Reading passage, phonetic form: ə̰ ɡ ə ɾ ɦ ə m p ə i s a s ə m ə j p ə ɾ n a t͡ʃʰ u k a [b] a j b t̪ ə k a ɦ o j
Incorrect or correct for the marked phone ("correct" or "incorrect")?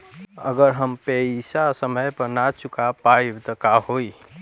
incorrect